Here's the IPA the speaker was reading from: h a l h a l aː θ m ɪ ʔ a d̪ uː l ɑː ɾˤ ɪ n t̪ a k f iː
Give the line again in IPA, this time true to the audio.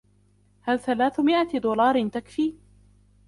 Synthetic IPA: h a l θ a l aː θ m ɪ ʔ a d̪ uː l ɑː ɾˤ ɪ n t̪ a k f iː